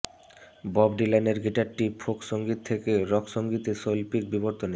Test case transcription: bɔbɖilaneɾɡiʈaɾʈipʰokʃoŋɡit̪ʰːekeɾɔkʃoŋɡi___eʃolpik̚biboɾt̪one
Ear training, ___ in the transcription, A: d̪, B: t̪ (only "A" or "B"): B